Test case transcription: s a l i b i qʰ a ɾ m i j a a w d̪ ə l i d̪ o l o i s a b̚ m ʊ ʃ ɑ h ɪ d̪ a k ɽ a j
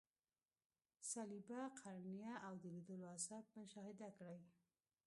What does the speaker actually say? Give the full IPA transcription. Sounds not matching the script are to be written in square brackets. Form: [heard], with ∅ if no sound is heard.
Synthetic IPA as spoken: s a l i b [a] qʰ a ɾ [n] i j a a w d̪ ə l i d̪ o l o [a] s a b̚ m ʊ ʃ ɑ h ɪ d̪ a k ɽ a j